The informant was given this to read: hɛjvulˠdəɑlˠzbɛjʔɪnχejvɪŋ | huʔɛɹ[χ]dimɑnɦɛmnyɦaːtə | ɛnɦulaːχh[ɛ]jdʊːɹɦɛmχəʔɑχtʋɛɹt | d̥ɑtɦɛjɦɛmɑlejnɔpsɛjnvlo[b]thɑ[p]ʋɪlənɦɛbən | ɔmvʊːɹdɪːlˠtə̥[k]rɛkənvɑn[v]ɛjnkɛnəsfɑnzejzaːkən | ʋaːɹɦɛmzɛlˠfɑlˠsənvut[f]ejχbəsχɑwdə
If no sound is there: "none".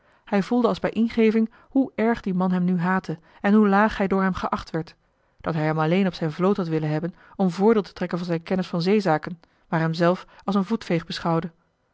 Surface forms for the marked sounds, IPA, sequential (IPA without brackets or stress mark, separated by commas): χ, ɛ, w, t, t, z, f